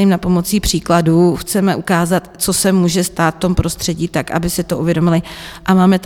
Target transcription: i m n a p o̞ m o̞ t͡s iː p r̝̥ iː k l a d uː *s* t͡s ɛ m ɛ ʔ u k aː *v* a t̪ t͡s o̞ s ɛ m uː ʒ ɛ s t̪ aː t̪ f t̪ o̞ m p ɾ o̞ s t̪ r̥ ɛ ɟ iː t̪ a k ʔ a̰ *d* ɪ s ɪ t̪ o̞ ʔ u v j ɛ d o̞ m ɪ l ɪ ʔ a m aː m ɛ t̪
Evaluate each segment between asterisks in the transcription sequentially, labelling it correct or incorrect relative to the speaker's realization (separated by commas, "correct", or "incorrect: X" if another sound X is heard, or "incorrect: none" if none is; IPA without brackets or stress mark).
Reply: incorrect: x, incorrect: z, incorrect: b